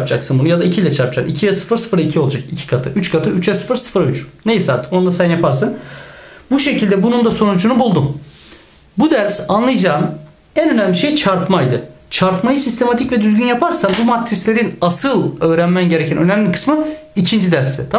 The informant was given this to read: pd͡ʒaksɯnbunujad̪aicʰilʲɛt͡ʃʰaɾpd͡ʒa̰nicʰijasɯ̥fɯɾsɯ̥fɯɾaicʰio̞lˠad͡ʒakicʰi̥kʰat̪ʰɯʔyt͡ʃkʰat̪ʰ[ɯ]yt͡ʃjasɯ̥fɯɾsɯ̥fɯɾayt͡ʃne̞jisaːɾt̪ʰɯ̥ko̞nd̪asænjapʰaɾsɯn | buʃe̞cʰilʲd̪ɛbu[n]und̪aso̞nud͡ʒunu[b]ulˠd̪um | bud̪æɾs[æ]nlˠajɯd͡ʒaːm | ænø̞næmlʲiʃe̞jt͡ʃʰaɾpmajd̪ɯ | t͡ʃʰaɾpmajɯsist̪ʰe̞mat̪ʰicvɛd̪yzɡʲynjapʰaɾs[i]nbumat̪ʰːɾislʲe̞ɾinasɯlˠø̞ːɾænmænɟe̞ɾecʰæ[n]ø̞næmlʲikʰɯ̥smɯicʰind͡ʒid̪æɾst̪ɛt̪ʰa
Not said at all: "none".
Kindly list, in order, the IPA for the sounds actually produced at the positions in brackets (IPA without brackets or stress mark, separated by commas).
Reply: ɯ, n, b, a, a, n